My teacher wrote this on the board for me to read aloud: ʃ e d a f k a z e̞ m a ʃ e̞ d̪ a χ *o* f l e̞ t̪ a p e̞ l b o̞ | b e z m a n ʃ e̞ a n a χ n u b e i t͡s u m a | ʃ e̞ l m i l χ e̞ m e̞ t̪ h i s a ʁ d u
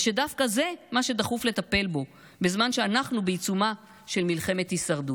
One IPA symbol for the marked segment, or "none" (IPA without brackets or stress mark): u